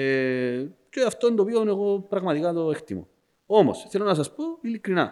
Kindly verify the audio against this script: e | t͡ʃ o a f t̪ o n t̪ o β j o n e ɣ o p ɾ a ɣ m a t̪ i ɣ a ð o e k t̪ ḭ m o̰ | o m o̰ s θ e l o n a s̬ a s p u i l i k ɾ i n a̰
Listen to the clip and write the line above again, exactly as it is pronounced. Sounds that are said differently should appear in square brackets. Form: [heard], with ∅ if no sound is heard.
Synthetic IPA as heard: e | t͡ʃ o a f t̪ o n [d̪] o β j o n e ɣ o p ɾ a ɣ m a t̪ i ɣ a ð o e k t̪ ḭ m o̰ | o m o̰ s θ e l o n a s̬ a s p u i l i k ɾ i n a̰